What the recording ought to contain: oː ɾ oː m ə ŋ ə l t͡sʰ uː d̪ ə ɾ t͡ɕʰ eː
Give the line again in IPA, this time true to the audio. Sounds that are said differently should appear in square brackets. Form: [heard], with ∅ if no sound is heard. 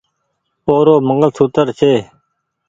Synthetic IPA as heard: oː ɾ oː m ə ŋ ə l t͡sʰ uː [t̪] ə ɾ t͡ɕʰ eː

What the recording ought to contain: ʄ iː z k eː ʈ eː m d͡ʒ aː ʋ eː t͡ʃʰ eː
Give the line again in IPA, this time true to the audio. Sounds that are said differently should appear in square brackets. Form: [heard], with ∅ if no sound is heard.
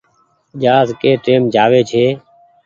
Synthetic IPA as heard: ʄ [aː] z k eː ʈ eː m d͡ʒ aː ʋ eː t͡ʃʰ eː

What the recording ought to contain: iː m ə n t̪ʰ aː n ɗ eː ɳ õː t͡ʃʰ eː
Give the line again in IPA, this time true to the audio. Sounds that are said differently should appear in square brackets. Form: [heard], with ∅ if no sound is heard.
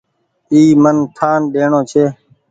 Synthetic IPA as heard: iː m ə n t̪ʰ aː n ɗ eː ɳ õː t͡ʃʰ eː

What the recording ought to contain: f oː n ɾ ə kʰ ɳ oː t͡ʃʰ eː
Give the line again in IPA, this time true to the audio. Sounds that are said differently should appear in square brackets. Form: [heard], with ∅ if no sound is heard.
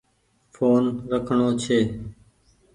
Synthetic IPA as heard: f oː n ɾ ə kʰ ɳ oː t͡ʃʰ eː

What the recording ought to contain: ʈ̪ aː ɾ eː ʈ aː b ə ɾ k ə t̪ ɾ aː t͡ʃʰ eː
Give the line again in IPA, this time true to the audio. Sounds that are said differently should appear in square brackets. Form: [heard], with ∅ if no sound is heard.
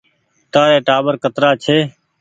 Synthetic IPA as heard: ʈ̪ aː ɾ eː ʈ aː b ə ɾ k ə t̪ ɾ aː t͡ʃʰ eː

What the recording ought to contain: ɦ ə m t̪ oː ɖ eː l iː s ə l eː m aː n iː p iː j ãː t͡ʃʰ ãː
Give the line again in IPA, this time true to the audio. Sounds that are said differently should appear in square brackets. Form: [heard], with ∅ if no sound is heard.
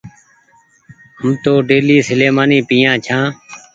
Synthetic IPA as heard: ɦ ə m t̪ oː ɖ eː l iː s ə l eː m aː n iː p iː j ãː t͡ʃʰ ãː

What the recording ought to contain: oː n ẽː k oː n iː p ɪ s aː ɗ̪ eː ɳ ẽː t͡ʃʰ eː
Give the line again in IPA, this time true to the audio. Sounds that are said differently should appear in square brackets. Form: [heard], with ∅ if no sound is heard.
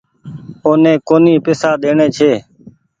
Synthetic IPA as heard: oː n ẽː k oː n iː p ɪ s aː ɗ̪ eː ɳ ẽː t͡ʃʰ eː

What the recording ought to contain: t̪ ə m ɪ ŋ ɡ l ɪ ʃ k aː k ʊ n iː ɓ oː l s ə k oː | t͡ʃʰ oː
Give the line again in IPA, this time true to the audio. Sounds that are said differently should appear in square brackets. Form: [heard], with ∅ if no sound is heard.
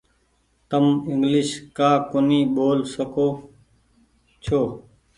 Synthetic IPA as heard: t̪ ə m ɪ ŋ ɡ l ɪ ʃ k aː k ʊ n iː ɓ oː l s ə k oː | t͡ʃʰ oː

